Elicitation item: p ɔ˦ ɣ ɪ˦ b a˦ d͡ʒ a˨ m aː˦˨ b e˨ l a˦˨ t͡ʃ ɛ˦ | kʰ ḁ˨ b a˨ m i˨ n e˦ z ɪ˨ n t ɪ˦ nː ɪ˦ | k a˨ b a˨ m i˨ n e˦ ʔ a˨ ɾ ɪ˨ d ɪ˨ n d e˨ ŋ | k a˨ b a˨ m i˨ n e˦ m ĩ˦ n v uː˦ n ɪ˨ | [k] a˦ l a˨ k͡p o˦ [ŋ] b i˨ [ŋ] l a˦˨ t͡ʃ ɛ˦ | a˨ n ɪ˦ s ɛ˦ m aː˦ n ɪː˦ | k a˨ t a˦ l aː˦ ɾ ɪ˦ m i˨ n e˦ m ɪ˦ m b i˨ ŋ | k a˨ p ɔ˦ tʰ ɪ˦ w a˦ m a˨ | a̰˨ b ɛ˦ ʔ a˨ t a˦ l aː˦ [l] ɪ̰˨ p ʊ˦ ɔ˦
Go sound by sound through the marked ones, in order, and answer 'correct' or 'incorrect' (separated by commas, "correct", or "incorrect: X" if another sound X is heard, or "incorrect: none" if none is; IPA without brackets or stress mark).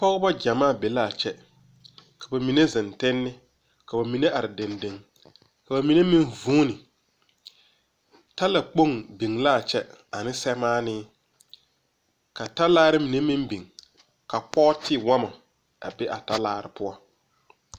incorrect: t, correct, correct, incorrect: ɾ